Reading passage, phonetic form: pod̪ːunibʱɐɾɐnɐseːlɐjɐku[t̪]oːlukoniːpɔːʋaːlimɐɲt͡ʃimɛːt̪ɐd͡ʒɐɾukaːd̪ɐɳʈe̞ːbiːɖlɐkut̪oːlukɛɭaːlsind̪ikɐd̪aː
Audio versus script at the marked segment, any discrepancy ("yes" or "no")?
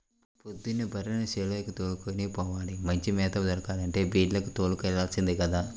no